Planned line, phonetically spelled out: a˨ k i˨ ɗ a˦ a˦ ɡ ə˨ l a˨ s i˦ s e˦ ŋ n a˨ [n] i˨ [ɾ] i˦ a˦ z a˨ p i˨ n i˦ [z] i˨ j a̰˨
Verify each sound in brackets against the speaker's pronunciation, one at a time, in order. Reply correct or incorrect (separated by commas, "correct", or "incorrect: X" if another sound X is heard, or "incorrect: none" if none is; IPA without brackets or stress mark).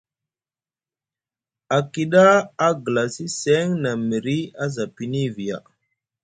incorrect: m, correct, incorrect: v